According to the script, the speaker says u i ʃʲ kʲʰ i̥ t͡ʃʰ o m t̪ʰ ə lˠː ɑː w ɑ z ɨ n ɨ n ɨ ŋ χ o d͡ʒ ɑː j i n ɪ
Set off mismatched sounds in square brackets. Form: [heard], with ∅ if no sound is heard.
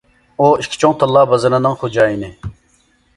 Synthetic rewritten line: u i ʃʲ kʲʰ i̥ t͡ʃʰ o [ŋ] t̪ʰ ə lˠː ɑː [b] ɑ z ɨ n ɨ n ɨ ŋ χ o d͡ʒ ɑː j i n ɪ